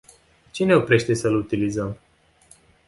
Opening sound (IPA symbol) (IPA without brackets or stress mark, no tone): t͡ʃ